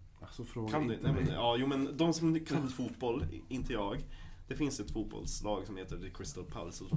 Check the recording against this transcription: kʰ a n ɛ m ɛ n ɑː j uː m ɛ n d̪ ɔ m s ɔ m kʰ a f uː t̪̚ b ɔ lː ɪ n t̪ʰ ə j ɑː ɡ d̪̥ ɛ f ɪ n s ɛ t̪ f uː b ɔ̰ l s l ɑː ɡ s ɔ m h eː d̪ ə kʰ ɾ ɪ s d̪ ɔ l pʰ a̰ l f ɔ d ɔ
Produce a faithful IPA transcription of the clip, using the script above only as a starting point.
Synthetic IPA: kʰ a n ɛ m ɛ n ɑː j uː m ɛ n d̪ ɔ m s ɔ m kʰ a f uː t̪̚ b ɔ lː ɪ n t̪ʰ ə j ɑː ɡ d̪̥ ɛ f ɪ n s ɛ t̪ f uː b ɔ̰ l s l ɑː ɡ s ɔ m h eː t̪ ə kʰ ɾ ɪ s t̪ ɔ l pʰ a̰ l s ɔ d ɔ